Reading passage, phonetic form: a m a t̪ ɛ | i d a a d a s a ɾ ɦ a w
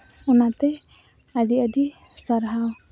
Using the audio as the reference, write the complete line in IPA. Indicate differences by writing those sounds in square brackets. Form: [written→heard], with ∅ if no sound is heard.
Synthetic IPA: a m a t̪ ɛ | [i→a] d [a→i] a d [a→i] s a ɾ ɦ a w